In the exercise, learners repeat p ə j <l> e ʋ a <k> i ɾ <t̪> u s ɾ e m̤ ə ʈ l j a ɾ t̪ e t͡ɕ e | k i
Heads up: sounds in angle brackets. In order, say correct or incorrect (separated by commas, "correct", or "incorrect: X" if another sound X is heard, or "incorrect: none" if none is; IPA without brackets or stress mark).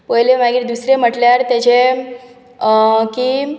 correct, incorrect: ɡ, incorrect: d̪